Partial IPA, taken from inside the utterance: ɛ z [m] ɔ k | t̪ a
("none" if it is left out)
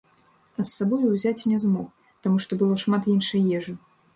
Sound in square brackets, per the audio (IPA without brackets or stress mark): m